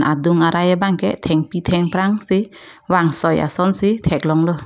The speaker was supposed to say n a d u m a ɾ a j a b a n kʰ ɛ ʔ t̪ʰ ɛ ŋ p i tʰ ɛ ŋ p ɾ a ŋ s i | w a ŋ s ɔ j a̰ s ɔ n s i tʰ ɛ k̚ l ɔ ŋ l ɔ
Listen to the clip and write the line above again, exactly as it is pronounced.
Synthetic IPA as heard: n a d u ŋ a ɾ a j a b a ŋ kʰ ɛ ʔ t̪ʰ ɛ ŋ p i tʰ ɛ ŋ p ɾ a ŋ s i | w a ŋ s ɔ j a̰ s ɔ n s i tʰ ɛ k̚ l ɔ ŋ l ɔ

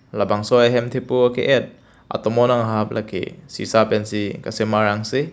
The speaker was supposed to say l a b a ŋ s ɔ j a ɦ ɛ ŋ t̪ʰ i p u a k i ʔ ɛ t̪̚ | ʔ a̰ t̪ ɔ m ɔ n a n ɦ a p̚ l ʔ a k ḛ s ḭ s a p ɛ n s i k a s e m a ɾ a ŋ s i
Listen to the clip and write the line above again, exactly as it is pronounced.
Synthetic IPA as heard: l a b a ŋ s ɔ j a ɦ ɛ m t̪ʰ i p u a k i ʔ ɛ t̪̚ | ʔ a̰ t̪ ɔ m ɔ n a ŋ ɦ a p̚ l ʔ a k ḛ s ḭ s a p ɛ n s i k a s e m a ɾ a ŋ s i

